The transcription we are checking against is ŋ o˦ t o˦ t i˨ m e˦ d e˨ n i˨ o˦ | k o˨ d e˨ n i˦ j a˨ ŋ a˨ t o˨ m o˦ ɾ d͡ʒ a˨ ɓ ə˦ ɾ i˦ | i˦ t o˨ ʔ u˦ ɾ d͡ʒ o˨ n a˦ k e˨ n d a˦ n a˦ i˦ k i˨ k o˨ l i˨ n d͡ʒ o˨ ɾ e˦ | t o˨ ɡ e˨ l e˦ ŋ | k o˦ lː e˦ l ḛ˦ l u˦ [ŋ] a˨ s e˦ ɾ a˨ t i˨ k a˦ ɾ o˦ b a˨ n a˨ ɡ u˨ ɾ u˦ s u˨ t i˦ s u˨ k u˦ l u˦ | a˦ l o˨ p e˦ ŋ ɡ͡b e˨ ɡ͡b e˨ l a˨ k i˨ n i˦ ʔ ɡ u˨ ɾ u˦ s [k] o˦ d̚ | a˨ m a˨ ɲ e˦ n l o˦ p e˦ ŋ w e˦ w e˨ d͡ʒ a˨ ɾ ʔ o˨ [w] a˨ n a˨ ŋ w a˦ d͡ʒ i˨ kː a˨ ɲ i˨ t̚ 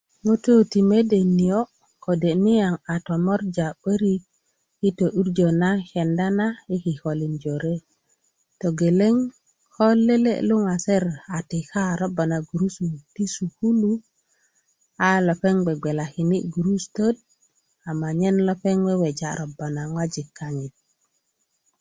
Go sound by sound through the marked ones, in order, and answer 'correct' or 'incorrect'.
correct, incorrect: t, incorrect: b

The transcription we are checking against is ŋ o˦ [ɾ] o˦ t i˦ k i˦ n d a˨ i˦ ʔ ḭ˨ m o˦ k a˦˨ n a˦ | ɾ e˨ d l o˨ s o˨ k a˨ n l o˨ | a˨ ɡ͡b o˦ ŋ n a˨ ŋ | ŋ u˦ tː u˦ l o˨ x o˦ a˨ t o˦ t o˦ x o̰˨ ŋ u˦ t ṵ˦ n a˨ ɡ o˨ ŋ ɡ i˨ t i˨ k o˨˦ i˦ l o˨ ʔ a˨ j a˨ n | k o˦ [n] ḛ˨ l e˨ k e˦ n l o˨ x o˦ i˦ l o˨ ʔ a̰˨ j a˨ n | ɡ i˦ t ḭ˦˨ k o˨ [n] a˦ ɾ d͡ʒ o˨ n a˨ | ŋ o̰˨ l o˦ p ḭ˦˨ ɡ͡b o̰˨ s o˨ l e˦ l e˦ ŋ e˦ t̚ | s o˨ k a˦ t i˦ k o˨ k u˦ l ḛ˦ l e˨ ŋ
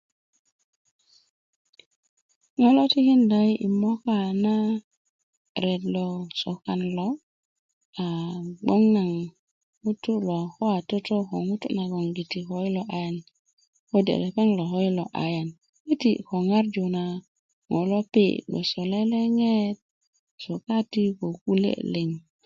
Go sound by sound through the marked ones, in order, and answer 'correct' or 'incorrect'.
incorrect: l, incorrect: d, incorrect: ŋ

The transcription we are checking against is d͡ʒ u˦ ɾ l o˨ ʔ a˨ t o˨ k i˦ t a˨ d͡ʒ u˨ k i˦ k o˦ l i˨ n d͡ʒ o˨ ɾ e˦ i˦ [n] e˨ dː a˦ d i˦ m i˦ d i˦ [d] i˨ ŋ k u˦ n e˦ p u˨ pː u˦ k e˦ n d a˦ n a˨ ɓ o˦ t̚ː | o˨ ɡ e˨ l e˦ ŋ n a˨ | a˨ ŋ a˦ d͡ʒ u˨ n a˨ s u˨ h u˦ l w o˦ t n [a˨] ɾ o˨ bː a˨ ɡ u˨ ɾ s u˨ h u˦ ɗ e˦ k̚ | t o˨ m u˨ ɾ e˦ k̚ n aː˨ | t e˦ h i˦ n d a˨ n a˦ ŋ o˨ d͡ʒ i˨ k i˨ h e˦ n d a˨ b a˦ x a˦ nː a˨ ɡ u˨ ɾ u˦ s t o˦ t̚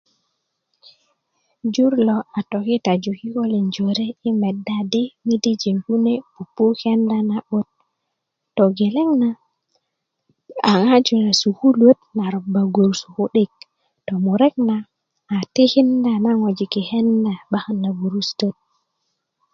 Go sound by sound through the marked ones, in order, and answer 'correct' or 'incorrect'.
incorrect: m, incorrect: d͡ʒ, correct

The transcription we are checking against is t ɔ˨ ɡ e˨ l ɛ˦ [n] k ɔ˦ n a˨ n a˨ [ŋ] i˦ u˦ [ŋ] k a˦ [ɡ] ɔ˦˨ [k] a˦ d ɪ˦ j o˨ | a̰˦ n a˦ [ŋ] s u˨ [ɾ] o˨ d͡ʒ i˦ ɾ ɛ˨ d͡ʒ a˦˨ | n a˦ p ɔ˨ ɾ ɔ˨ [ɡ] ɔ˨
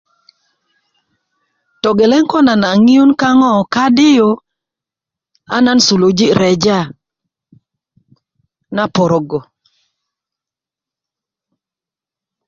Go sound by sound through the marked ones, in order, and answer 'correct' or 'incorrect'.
incorrect: ŋ, correct, incorrect: n, incorrect: ŋ, correct, incorrect: n, incorrect: l, correct

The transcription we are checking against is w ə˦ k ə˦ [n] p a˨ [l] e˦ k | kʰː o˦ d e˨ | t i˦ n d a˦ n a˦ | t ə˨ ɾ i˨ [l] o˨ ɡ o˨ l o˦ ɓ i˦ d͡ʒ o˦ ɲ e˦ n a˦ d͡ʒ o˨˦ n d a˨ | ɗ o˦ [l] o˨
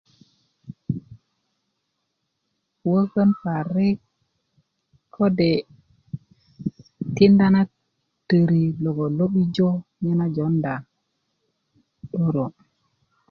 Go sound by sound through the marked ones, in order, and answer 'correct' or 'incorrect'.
correct, incorrect: ɾ, correct, incorrect: ɾ

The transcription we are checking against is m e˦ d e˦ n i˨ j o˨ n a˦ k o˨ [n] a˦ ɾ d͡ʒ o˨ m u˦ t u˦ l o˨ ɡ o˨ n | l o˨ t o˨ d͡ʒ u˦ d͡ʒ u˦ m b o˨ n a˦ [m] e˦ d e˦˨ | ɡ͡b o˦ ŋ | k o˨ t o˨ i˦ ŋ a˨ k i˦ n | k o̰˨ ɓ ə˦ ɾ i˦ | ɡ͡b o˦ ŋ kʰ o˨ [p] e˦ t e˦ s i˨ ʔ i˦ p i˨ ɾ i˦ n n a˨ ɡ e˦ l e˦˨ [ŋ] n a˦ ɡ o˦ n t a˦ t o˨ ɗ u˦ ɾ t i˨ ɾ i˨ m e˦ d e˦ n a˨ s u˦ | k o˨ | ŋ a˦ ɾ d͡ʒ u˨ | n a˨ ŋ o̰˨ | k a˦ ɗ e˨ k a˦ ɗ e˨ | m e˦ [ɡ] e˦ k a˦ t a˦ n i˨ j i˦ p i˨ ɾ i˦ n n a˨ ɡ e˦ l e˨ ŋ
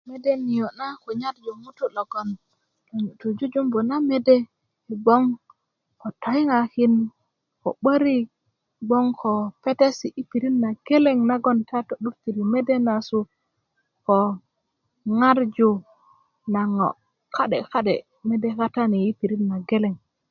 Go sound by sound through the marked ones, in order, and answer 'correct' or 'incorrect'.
incorrect: ɲ, correct, correct, correct, incorrect: d

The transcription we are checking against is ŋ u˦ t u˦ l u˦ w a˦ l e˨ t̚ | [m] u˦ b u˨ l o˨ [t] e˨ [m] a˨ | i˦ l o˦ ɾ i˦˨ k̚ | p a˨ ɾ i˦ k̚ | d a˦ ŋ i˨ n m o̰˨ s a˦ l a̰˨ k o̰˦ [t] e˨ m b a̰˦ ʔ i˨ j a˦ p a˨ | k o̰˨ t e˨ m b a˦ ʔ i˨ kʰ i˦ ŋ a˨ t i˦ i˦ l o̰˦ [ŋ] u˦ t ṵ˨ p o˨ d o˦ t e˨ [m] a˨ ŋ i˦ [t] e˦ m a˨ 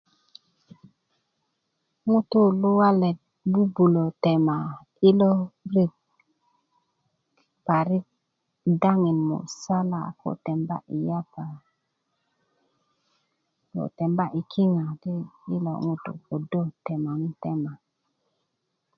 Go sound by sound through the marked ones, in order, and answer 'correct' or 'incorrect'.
incorrect: b, correct, correct, correct, correct, correct, correct

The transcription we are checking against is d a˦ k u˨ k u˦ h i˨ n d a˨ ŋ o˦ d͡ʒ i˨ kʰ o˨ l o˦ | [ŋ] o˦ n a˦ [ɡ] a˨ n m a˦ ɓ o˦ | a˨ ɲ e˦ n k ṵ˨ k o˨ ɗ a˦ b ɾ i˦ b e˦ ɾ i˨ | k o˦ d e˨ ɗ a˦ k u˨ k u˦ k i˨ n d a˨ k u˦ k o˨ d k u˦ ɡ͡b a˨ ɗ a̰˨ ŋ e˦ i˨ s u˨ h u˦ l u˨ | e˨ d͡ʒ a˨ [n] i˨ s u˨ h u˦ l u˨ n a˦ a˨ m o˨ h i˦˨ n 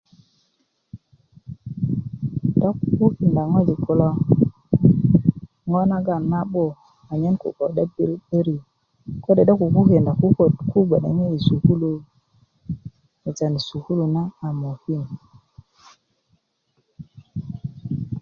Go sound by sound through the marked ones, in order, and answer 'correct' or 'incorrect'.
correct, correct, correct

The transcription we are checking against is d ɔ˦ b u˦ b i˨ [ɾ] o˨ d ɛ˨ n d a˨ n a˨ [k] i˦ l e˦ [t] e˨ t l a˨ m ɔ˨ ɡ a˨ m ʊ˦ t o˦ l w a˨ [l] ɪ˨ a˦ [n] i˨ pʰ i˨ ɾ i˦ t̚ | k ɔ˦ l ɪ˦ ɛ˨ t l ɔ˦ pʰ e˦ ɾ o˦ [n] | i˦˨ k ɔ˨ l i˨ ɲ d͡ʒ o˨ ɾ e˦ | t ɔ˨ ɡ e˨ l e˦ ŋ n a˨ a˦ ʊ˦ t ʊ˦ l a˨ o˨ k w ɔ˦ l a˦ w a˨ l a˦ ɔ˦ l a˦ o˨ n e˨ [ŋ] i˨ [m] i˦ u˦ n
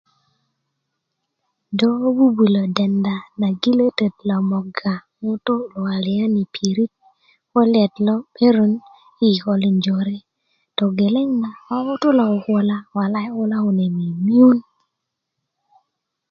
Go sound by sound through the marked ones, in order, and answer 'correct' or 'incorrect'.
incorrect: l, incorrect: ɡ, correct, correct, correct, correct, incorrect: m, correct

